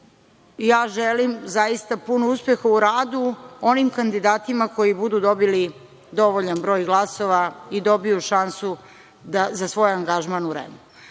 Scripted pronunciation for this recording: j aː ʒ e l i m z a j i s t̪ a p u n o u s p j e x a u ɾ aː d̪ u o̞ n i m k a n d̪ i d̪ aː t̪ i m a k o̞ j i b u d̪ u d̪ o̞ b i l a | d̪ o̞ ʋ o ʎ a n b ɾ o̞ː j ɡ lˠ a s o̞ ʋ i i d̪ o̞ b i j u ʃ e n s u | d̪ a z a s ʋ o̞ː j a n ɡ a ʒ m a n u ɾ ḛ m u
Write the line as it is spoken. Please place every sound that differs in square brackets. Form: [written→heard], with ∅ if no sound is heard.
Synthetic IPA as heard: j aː ʒ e l i m z a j i s t̪ a p u n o u s p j e x a u ɾ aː d̪ u o̞ n i m k a n d̪ i d̪ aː t̪ i m a k o̞ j i b u d̪ u d̪ o̞ b i l [a→i] | d̪ o̞ ʋ o ʎ a n b ɾ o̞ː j ɡ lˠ a s o̞ ʋ [i→a] i d̪ o̞ b i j u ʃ [e→a] n s u | d̪ a z a s ʋ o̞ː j a [n→ŋ] ɡ a ʒ m a n u ɾ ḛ m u